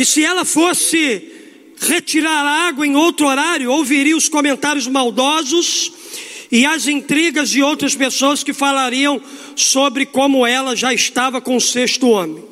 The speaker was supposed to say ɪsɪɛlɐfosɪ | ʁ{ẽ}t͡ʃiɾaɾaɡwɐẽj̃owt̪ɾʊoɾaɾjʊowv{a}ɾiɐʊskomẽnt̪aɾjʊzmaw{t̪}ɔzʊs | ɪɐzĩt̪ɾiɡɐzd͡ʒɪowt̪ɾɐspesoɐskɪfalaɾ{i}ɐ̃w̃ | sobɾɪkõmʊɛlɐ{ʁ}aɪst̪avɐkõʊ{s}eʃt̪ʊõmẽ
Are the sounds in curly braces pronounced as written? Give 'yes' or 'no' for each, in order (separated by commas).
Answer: no, no, no, yes, no, yes